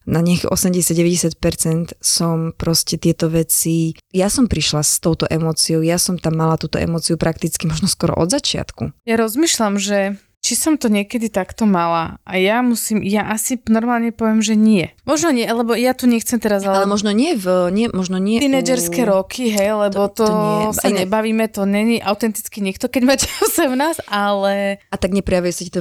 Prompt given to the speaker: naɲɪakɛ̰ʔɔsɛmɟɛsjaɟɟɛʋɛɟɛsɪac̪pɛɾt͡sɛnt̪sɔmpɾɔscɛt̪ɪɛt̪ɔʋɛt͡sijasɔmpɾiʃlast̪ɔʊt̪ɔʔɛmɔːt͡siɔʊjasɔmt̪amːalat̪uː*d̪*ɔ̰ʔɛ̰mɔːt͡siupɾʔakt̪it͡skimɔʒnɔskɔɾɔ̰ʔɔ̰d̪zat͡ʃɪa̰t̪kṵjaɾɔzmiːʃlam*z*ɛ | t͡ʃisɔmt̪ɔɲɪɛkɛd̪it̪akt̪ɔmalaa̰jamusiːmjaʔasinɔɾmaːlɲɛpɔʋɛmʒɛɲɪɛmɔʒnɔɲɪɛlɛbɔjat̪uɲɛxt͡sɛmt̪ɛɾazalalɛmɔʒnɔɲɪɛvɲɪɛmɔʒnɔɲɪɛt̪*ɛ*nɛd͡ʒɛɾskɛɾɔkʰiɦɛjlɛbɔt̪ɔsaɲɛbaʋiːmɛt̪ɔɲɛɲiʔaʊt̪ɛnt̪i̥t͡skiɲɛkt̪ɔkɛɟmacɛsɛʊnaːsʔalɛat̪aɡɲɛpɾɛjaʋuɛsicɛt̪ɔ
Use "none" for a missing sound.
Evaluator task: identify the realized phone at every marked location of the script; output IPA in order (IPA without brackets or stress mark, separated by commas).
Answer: t̪, ʒ, i